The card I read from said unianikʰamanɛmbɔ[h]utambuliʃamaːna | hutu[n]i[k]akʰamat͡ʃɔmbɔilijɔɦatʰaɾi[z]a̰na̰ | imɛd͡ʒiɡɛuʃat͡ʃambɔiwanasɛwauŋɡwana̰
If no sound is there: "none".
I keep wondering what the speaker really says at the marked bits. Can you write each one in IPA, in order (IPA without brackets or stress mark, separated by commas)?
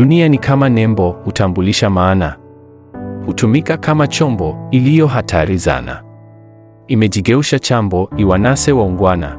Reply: h, m, k, z